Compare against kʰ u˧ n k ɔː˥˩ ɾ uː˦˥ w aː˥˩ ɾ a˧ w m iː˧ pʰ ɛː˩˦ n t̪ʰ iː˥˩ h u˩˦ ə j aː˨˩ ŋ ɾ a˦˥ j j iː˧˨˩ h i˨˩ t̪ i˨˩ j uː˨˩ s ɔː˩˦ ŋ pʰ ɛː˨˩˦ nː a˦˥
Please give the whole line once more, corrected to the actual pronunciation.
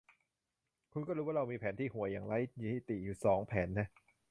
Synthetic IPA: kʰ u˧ n k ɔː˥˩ ɾ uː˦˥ w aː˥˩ ɾ a˧ w m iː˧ pʰ ɛː˩˦ n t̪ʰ iː˥˩ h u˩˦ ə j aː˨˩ ŋ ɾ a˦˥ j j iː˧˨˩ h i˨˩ t̪ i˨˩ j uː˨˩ s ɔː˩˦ ŋ pʰ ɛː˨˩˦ nː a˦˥